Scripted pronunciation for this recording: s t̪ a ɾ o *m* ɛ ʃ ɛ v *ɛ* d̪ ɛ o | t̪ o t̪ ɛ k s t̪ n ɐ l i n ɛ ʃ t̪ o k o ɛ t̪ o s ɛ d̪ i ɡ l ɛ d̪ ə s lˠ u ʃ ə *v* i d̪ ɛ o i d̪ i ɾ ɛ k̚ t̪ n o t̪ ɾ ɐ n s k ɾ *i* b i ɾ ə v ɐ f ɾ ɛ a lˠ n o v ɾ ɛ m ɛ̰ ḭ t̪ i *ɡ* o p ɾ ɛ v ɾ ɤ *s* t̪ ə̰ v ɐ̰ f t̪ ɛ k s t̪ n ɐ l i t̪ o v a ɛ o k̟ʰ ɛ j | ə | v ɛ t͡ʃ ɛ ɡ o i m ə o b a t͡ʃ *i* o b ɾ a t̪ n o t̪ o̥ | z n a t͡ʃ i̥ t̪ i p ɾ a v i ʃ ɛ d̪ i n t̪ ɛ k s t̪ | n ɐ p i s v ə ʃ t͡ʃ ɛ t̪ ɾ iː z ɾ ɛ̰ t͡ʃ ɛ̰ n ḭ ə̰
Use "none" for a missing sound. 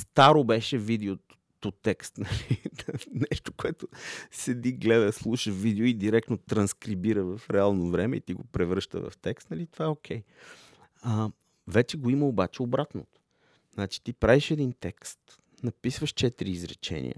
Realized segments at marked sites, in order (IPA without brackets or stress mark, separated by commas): b, i, v, i, ɡ, ʃ, ɛ